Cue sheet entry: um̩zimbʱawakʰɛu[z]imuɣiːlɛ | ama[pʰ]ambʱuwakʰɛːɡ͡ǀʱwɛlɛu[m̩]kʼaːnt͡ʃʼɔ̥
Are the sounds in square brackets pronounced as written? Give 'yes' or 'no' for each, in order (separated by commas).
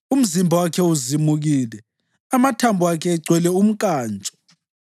yes, no, yes